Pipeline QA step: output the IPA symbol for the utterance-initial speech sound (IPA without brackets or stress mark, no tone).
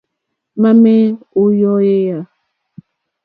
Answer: m